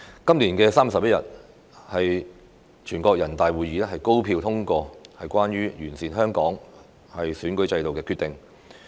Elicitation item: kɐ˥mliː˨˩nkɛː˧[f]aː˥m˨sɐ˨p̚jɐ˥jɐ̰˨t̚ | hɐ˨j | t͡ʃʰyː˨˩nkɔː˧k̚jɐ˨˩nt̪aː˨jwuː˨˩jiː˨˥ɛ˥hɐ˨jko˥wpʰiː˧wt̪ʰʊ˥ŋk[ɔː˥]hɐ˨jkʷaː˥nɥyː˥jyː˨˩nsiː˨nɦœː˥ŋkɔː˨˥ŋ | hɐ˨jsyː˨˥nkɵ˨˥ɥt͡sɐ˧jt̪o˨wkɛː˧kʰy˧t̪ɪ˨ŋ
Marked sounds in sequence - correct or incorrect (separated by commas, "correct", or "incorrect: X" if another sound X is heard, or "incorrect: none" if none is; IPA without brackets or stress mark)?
incorrect: s, incorrect: ɔː˧